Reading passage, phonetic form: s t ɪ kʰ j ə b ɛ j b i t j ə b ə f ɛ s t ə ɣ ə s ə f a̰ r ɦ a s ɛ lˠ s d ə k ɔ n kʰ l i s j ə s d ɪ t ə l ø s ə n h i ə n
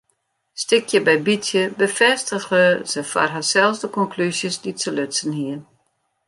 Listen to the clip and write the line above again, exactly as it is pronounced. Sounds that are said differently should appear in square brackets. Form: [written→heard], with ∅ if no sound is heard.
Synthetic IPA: s t ɪ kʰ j ə b ɛ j b i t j ə b ə f ɛ s t ə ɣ ə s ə f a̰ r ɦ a s ɛ lˠ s d ə k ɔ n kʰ l [i→y] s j ə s d [ɪ→i] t ə l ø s ə n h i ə n